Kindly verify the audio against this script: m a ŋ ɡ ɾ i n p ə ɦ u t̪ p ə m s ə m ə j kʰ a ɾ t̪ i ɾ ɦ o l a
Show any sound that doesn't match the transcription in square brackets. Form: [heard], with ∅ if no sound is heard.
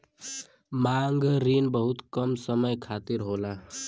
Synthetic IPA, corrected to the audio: m a ŋ ɡ ɾ i n [b] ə ɦ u t̪ [k] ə m s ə m ə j kʰ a [∅] t̪ i ɾ ɦ o l a